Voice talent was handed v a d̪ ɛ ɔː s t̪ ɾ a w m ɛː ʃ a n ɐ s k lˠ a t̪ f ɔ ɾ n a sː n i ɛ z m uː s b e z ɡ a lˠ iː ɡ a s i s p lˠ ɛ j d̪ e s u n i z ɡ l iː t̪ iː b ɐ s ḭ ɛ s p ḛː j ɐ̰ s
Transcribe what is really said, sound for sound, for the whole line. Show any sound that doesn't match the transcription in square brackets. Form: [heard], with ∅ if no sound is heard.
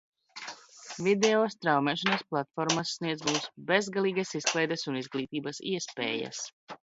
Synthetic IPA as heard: v [i] d̪ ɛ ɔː s t̪ ɾ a w m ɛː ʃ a n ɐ s [p] lˠ a t̪ f ɔ ɾ [m] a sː n i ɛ z m uː s b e z ɡ a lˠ iː ɡ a s i s [k] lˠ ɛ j d̪ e s u n i z ɡ l iː t̪ iː b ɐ s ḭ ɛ s p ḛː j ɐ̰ s